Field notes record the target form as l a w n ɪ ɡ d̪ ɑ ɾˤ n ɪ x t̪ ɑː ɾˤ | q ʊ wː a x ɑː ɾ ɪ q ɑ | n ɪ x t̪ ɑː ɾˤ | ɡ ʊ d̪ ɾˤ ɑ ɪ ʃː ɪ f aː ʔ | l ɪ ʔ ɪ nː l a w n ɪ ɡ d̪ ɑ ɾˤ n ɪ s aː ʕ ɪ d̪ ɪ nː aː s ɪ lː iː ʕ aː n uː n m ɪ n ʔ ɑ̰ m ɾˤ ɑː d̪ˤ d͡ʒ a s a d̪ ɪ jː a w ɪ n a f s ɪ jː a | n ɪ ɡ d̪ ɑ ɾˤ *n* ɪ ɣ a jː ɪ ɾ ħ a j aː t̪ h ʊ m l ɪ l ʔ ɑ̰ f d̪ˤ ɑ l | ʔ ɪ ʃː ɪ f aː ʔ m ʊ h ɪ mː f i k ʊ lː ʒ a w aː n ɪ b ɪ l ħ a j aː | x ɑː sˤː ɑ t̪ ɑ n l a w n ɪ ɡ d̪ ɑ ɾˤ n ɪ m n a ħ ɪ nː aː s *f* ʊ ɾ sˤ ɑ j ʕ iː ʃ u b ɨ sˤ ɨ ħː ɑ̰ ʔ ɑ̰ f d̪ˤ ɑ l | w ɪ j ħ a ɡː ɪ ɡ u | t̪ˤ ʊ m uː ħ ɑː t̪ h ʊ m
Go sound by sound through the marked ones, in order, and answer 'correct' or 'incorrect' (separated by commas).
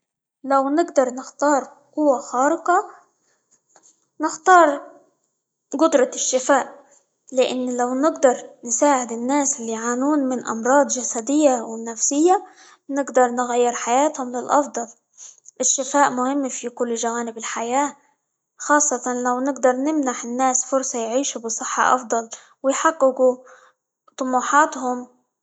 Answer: correct, correct